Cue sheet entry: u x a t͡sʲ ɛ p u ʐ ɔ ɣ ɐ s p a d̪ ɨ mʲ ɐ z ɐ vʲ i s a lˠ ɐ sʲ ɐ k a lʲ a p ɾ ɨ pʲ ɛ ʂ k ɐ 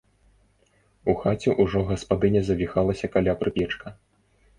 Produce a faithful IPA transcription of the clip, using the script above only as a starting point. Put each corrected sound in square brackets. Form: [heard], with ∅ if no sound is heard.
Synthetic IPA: u x a t͡sʲ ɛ [ʔ] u ʐ ɔ ɣ ɐ s p a d̪ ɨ [nʲ] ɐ z ɐ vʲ i [x] a lˠ ɐ sʲ ɐ k a lʲ a p ɾ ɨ pʲ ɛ [t͡ʂ] k ɐ